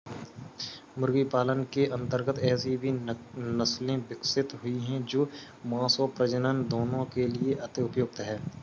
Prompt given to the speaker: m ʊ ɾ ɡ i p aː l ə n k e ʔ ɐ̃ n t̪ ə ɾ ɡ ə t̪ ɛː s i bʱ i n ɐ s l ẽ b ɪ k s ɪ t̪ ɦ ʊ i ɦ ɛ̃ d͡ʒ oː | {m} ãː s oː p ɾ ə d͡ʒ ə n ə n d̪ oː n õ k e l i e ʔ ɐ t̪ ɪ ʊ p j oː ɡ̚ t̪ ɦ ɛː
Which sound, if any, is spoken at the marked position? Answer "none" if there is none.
m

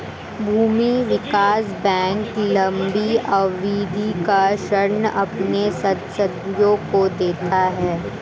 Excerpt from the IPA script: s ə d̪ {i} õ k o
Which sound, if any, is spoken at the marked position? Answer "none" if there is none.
j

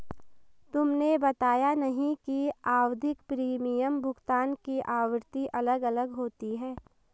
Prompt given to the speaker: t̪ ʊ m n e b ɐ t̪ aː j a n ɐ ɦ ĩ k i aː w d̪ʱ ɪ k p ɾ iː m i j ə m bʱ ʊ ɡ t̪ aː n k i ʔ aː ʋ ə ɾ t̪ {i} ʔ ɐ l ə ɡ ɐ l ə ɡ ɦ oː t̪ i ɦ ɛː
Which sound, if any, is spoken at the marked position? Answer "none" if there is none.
i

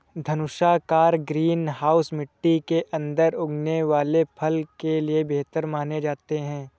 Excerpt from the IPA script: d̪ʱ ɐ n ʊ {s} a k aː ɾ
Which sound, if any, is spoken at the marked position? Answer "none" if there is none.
ʃ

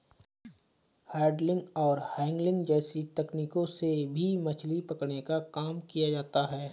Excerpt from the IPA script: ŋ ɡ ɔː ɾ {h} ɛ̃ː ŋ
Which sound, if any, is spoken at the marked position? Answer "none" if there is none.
h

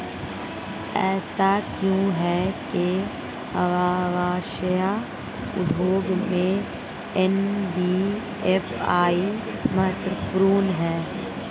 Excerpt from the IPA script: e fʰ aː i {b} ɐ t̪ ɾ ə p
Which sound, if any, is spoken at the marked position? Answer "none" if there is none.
m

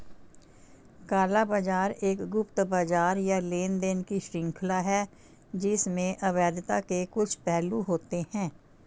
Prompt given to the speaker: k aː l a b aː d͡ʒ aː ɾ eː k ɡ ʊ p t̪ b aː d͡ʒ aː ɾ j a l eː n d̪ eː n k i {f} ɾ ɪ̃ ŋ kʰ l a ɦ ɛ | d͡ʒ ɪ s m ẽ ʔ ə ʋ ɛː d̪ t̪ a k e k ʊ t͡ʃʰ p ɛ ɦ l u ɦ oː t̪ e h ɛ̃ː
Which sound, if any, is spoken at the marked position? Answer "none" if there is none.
ʃ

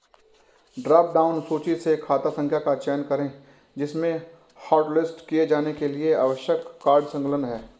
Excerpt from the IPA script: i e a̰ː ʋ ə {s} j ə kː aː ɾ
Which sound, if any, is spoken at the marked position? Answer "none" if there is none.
ʃ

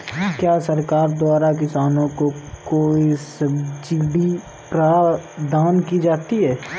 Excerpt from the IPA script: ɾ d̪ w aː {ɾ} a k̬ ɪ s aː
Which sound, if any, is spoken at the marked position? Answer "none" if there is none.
ɾ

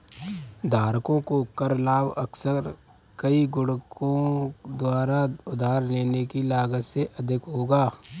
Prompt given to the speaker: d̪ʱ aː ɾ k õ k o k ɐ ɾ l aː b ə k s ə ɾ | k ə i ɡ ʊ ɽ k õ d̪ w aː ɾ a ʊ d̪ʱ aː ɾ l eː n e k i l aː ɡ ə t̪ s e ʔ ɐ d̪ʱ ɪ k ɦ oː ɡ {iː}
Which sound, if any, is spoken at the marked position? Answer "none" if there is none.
aː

